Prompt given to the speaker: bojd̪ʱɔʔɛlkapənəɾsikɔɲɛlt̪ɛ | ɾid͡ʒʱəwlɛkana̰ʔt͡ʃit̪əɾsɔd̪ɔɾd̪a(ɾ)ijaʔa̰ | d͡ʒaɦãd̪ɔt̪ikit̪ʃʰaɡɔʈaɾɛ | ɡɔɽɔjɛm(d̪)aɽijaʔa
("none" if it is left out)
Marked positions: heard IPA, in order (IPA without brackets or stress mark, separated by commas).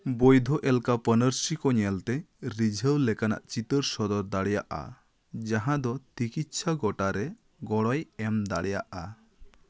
ɽ, d̪